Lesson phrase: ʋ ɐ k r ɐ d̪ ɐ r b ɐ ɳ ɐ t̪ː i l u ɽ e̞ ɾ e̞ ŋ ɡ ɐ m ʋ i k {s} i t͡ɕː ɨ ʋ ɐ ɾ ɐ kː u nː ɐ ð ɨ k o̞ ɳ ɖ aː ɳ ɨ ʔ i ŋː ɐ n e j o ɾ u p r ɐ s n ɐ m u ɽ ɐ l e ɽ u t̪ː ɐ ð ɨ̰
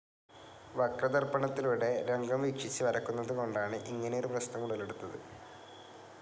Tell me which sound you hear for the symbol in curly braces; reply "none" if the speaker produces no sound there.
ʂ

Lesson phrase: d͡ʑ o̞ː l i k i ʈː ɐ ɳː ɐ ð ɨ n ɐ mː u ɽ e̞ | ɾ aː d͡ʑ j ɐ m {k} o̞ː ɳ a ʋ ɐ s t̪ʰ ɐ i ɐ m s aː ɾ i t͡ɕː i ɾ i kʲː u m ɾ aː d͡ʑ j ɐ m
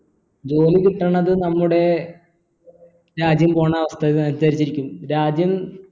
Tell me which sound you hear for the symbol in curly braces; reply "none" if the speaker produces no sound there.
p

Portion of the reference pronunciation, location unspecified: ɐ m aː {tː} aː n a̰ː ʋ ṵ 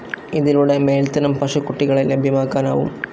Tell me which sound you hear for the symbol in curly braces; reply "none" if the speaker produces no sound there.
kː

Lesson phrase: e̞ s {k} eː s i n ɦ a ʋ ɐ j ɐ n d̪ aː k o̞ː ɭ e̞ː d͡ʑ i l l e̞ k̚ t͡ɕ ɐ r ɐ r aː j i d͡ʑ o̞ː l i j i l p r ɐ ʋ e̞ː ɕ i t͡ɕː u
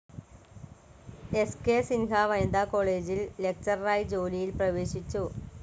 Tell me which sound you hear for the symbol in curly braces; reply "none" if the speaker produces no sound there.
k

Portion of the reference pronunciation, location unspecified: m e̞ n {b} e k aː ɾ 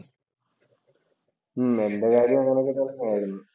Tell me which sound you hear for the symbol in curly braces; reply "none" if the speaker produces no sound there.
d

